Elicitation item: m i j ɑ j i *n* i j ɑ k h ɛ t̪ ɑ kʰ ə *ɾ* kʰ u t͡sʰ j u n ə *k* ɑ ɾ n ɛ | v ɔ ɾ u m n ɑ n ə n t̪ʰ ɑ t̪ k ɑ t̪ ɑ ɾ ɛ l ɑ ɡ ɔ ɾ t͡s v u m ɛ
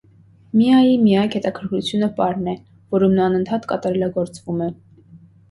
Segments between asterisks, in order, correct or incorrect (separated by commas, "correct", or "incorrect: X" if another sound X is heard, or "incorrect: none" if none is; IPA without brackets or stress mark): incorrect: m, correct, incorrect: p